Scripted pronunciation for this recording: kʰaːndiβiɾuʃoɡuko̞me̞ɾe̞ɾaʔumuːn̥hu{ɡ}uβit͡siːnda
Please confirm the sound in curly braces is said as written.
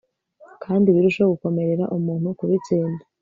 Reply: no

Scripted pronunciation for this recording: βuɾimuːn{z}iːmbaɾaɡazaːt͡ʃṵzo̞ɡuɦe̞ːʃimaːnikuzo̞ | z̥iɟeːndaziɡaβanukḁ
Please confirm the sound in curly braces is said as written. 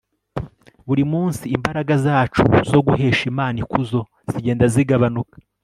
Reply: no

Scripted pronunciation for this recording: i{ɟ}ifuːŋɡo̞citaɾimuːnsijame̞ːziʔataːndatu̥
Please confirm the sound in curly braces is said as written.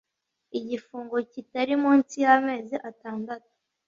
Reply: yes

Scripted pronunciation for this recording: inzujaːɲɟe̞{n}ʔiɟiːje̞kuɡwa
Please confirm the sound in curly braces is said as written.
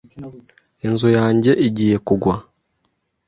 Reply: no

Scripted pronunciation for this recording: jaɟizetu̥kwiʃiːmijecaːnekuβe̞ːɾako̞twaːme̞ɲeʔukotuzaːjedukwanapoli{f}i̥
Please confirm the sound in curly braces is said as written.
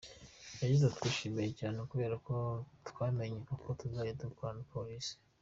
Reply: no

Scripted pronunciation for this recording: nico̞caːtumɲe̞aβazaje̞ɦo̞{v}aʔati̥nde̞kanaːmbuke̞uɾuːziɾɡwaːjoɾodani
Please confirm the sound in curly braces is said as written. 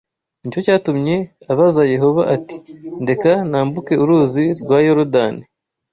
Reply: no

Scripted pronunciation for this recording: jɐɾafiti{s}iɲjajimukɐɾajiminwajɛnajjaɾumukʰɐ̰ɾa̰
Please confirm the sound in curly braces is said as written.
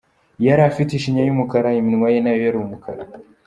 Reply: no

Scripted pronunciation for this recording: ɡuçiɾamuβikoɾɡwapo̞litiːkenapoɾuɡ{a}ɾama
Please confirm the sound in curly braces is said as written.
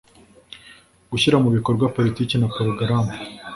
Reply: yes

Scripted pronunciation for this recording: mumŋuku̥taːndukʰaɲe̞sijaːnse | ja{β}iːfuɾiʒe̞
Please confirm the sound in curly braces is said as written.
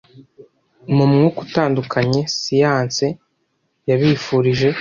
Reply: yes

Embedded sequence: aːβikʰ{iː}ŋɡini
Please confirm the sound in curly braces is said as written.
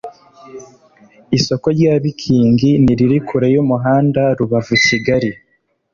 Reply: yes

